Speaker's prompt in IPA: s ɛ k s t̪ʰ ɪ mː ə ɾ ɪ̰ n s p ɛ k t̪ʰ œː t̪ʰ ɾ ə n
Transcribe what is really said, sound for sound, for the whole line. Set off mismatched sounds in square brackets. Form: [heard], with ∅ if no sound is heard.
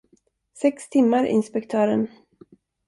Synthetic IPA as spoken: s ɛ k s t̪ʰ ɪ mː [a] ɾ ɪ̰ n s p ɛ k t̪ʰ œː [∅] ɾ ə n